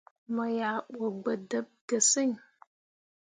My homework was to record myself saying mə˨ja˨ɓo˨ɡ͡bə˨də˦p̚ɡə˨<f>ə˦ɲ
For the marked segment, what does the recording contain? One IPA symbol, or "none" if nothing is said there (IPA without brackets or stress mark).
s